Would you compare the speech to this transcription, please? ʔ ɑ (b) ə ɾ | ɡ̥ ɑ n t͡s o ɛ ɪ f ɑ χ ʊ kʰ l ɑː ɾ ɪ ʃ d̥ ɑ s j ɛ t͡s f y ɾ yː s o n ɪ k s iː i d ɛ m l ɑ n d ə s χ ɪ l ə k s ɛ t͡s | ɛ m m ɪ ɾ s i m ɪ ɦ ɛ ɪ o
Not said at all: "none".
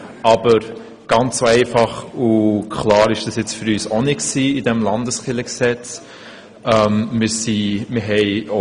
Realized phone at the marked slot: b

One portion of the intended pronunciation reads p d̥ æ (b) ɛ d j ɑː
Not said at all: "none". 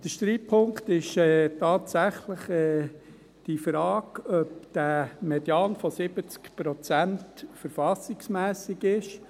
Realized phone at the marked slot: m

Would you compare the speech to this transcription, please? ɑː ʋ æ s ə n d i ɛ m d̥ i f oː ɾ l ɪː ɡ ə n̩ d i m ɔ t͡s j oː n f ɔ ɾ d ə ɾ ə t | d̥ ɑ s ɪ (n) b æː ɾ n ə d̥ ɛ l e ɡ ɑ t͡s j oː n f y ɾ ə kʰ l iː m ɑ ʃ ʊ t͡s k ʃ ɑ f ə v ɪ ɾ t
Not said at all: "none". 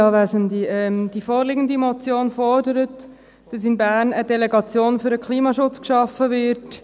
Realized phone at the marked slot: n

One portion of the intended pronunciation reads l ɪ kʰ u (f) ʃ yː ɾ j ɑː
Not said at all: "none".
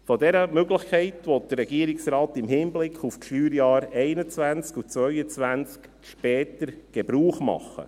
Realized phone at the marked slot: f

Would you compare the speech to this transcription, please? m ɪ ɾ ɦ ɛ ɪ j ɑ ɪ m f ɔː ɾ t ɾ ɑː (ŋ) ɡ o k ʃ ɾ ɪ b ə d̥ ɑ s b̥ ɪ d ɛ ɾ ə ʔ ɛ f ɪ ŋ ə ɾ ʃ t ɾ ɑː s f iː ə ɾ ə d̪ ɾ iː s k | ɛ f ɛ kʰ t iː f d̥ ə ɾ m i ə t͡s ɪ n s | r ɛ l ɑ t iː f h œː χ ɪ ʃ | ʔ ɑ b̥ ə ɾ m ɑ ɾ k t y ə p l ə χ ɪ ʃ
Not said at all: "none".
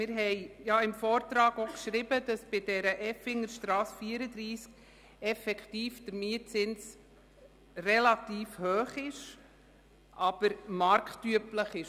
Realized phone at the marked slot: none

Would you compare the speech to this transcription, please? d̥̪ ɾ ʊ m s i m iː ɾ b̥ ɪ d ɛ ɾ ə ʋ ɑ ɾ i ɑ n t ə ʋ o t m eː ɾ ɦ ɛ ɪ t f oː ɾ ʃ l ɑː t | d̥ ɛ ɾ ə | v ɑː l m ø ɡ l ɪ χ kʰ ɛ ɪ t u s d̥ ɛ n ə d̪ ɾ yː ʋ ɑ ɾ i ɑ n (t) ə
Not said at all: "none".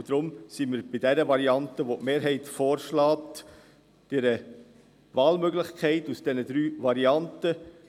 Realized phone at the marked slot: t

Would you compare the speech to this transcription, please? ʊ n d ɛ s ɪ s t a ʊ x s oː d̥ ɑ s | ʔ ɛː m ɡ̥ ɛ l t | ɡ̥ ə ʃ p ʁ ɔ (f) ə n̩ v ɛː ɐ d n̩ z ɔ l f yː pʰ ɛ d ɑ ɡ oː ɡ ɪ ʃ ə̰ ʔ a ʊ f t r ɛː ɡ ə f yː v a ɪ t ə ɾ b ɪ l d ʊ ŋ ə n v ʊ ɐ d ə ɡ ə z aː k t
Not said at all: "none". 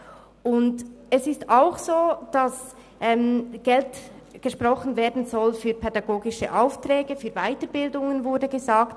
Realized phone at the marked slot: χ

